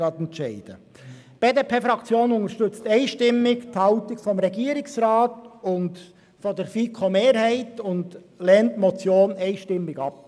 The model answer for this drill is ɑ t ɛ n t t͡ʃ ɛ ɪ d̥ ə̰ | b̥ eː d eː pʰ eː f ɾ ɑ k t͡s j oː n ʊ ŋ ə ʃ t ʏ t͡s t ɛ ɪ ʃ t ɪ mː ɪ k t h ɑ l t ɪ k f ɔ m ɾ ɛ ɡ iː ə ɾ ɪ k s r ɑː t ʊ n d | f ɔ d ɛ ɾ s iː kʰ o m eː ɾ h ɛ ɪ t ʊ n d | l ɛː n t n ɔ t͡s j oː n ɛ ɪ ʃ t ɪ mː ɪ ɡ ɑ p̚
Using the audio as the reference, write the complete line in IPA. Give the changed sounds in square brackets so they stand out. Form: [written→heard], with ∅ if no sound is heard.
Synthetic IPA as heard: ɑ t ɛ n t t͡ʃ ɛ ɪ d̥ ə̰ | b̥ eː d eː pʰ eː f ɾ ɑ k t͡s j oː n ʊ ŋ ə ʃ t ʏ t͡s t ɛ ɪ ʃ t ɪ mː ɪ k t h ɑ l t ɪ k f ɔ m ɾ ɛ ɡ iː ə ɾ ɪ k s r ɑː t ʊ n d | f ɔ d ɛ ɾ [s→f] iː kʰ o m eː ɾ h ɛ ɪ t ʊ n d | l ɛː n t [n→m] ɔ t͡s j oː n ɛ ɪ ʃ t ɪ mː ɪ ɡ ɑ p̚